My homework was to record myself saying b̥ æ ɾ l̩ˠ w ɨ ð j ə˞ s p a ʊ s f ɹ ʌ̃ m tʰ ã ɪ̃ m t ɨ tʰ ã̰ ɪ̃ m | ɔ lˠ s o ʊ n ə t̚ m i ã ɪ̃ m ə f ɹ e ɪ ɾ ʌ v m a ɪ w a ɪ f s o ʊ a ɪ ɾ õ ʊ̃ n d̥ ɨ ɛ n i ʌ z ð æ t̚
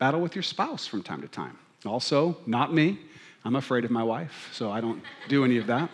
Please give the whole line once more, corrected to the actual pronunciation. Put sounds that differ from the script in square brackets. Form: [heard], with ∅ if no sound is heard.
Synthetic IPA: b̥ æ ɾ l̩ˠ w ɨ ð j ə˞ s p a ʊ s f ɹ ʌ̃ m tʰ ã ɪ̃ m t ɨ tʰ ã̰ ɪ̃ m | ɔ lˠ s o ʊ n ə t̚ m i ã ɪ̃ m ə f ɹ e ɪ ɾ ʌ v m a ɪ w a ɪ f s o ʊ a ɪ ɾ õ ʊ̃ n d̥ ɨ ɛ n i ʌ [v] ð æ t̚